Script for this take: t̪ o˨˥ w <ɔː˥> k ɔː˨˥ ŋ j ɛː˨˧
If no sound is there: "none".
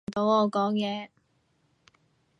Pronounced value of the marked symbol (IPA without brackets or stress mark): ɔː˨˧